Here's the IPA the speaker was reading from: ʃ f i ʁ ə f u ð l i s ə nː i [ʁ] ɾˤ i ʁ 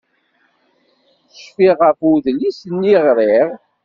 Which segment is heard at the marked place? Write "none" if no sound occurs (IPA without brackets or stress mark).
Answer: ʁ